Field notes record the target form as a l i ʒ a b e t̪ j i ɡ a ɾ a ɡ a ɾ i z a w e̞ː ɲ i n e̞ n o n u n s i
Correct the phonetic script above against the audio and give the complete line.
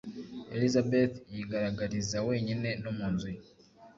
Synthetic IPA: e l i z a b e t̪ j i ɡ a ɾ a ɡ a ɾ i z a w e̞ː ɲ i n e̞ n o m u n z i